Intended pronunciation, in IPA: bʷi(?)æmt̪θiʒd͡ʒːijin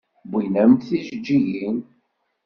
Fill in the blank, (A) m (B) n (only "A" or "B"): B